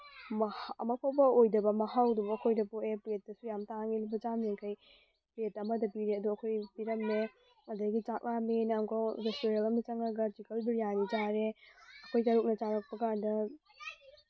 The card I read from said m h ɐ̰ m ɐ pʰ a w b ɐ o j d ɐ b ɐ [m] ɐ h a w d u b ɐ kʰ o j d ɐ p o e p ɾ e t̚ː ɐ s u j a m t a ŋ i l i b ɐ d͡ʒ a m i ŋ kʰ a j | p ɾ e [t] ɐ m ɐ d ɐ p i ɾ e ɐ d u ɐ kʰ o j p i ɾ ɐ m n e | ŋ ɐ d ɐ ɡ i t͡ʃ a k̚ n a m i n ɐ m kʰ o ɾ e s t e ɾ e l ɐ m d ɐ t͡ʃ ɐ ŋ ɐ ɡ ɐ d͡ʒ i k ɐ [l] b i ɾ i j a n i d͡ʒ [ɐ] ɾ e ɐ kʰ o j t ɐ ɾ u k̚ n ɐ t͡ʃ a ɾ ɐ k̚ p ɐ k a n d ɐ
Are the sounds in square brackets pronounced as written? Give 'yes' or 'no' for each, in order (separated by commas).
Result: yes, yes, yes, no